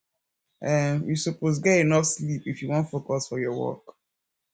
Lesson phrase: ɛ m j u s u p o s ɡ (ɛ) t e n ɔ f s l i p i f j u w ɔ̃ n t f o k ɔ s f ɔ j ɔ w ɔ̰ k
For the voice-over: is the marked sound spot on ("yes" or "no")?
yes